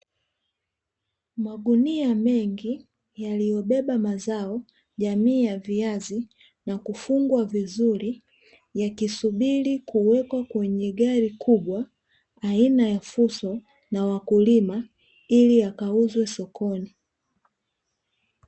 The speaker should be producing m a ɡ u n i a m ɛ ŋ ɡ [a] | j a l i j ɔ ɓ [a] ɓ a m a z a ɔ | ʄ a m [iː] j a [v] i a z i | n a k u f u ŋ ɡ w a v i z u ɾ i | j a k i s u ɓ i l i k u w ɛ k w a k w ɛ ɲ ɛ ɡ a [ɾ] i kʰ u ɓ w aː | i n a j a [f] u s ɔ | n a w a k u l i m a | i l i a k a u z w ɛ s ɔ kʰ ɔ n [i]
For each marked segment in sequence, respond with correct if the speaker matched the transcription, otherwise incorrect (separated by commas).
incorrect, incorrect, correct, correct, correct, correct, correct